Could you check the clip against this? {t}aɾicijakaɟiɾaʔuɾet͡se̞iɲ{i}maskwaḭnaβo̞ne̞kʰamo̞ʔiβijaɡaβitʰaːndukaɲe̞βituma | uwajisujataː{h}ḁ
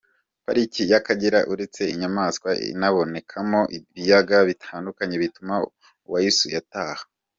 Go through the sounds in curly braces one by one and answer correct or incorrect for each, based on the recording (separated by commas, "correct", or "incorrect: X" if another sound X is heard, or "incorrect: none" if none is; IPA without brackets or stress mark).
incorrect: p, incorrect: a, correct